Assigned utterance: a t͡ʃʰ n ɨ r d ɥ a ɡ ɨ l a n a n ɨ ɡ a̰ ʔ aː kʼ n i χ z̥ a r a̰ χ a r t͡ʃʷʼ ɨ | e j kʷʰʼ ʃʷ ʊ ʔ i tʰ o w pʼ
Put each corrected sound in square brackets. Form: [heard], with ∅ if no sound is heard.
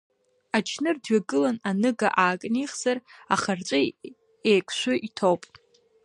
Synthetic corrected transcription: a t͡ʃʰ n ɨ r d ɥ a ɡ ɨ l a n a n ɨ ɡ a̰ ʔ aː kʼ n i χ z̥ a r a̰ χ a r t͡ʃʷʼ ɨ | e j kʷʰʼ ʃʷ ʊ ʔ i tʰ o w pʼ